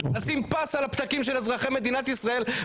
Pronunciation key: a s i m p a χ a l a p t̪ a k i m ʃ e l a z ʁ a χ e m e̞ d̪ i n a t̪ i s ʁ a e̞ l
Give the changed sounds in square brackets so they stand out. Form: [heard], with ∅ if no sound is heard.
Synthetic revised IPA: a s i m p a [s] a l a p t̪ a k i m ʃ e l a z ʁ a χ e m e̞ d̪ i n a t̪ i s ʁ a e̞ l